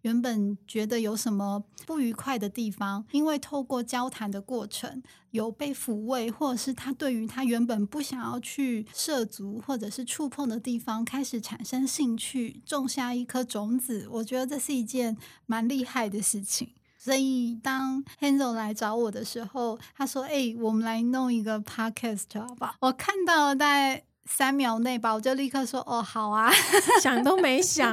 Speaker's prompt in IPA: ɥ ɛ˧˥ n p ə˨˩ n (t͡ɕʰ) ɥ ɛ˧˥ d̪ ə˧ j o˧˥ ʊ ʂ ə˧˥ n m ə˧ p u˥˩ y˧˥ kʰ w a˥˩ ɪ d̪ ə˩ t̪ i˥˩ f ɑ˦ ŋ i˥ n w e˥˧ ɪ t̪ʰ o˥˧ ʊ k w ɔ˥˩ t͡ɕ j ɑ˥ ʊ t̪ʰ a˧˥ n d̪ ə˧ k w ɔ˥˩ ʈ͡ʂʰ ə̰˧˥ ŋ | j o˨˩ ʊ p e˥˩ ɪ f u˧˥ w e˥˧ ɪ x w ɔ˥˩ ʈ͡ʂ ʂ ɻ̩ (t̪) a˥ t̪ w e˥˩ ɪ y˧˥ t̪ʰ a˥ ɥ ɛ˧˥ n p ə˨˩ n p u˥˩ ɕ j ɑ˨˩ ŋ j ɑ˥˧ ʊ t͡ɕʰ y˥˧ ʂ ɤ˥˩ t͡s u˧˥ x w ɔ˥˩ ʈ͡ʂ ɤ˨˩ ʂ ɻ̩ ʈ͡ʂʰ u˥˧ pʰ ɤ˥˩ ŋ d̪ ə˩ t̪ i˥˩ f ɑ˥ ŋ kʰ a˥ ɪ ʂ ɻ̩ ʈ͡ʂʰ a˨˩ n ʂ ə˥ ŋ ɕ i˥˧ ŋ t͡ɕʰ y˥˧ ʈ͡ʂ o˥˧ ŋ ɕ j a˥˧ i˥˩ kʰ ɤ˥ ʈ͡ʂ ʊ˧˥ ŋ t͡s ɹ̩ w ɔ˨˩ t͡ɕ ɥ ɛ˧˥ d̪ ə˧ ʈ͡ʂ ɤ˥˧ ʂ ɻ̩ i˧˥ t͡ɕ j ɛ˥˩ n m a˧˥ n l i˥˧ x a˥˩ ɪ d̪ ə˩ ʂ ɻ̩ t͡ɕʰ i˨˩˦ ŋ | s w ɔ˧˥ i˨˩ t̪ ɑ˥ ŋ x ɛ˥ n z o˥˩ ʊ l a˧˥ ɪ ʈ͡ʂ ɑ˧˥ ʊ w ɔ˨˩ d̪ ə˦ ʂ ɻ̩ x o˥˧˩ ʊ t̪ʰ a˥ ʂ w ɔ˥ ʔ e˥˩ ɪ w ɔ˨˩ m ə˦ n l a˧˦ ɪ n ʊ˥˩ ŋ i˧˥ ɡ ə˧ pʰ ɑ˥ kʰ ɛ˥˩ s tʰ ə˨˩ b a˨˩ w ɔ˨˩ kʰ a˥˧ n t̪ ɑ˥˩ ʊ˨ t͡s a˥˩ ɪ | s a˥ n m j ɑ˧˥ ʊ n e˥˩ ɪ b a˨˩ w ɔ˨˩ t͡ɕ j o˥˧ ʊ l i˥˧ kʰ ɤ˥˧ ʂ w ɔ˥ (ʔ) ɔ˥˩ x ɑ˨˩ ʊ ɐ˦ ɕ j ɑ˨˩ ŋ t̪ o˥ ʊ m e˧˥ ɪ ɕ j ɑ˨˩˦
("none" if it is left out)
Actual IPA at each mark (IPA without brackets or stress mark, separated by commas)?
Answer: t͡ɕ, t̪ʰ, ʔ